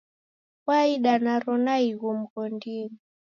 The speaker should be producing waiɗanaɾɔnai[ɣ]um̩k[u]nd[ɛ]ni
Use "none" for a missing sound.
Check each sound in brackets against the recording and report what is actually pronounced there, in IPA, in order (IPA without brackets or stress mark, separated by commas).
ɣ, ɔ, i